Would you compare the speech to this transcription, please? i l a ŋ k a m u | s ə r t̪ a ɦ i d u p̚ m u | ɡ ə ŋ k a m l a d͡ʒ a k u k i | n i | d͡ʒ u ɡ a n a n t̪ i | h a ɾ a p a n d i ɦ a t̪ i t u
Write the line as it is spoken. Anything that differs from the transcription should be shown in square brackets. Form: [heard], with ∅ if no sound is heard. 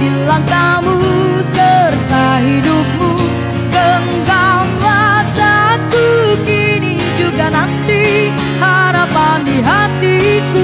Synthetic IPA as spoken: i l a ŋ k a m u | s ə r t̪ a ɦ i d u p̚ m u | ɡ ə ŋ [ɡ] a m l a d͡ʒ a k u k i | n i | d͡ʒ u ɡ a n a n t̪ i | h a ɾ a p a n d i ɦ a t̪ i [k] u